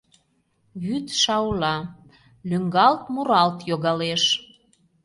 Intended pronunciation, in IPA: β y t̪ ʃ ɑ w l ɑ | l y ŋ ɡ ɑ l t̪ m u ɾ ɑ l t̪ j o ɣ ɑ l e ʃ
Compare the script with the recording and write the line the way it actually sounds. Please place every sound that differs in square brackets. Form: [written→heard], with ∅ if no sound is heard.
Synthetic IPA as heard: β y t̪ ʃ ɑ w l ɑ | l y ŋ ɡ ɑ l t̪ m u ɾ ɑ l t̪ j o ɣ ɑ l e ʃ